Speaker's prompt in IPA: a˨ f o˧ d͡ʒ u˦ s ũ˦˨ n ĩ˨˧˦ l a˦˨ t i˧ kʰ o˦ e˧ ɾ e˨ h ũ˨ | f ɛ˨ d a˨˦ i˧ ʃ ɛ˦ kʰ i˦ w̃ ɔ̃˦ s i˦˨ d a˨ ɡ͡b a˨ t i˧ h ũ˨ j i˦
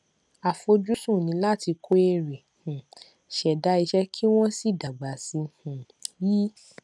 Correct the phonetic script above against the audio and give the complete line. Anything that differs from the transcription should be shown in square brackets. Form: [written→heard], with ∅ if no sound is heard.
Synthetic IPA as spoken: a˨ f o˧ d͡ʒ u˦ s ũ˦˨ n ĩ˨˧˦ l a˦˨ t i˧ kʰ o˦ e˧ ɾ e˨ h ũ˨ | [f→ʃ] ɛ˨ d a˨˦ i˧ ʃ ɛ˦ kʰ i˦ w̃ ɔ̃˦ s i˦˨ d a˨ ɡ͡b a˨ [t→s] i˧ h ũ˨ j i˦